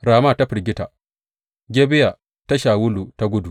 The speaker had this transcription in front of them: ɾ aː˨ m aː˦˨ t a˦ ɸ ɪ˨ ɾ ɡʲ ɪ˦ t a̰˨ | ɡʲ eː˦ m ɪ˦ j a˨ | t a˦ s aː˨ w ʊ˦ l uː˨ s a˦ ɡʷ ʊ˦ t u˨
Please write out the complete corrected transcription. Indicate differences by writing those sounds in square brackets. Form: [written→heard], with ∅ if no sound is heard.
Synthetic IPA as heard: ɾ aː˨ m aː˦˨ t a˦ ɸ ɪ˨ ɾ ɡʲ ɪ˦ t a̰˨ | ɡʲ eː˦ [m→b] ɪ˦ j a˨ | t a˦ [s→ʃ] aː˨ w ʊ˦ l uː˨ [s→t] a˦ ɡʷ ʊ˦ [t→d] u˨